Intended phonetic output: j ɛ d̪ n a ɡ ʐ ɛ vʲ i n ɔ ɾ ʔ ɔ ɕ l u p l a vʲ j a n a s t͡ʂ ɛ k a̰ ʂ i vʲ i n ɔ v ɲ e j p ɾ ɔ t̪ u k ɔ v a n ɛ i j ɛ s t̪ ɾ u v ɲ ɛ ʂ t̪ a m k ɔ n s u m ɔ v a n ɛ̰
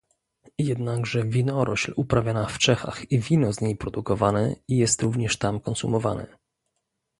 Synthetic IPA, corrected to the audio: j ɛ d̪ n a ɡ ʐ ɛ vʲ i n ɔ ɾ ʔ ɔ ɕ l u p ɾ a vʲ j a n a f t͡ʂ ɛ x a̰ x i vʲ i n ɔ z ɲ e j p ɾ ɔ d̪ u k ɔ v a n ɛ i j ɛ s t̪ ɾ u v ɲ ɛ ʂ t̪ a m k ɔ n s u m ɔ v a n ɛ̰

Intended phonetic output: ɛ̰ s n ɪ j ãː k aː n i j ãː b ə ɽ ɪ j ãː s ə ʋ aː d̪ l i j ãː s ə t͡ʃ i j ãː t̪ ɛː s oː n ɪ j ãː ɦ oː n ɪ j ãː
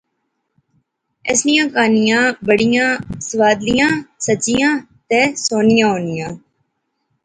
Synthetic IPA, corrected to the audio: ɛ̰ s n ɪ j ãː k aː n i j ãː b ə ɽ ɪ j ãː s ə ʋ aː d̪ l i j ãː s ə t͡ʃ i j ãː t̪ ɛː s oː n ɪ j ãː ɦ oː n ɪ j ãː

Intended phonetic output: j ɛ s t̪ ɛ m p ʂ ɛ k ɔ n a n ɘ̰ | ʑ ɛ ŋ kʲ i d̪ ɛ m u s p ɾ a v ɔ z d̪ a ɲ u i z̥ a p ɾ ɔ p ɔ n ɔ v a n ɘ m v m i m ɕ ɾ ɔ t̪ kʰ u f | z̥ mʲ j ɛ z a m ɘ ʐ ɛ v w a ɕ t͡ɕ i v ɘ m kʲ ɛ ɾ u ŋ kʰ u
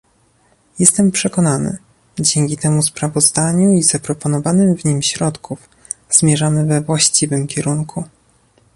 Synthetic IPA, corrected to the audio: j ɛ s t̪ ɛ m p ʂ ɛ k ɔ n a n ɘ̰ | d͡ʑ ɛ ŋ kʲ i t̪ ɛ m u s p ɾ a v ɔ z d̪ a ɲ u i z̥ a p ɾ ɔ p ɔ n ɔ v a n ɘ m v ɲ i m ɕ ɾ ɔ t̪ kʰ u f | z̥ mʲ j ɛ ʐ a m ɘ v ɛ v w a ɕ t͡ɕ i v ɘ m kʲ ɛ ɾ u ŋ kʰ u

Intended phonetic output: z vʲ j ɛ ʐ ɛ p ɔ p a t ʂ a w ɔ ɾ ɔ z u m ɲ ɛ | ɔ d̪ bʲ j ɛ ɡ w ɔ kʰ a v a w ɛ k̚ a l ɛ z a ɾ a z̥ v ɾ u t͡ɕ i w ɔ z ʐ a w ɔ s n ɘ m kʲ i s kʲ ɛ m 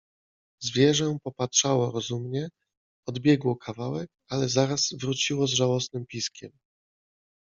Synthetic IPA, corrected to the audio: z vʲ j ɛ ʐ ɛ p ɔ p a t ʂ a w ɔ ɾ ɔ z u m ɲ ɛ | ɔ d̪ bʲ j ɛ ɡ w ɔ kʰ a v a w ɛ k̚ a l ɛ z a ɾ a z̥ v ɾ u t͡ɕ i w ɔ z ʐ a w ɔ s n ɘ m pʲ i s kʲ ɛ m

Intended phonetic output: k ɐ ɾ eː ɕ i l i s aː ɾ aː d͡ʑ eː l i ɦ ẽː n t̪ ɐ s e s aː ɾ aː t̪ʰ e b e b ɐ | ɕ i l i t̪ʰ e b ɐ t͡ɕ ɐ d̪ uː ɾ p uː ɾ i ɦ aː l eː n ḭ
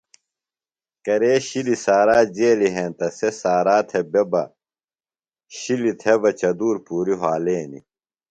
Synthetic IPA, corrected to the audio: k ɐ ɾ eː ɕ i l i s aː ɾ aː d͡ʑ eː l i ɦ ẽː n t̪ ɐ s e s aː ɾ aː t̪ʰ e b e b ɐ | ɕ i l i t̪ʰ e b ɐ t͡ɕ ɐ d̪ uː ɾ p uː ɾ i ɦ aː l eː n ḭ

